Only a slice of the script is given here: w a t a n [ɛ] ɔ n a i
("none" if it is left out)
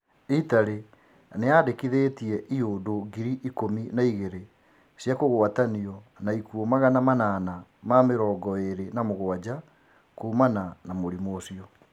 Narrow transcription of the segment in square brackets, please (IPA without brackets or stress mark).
i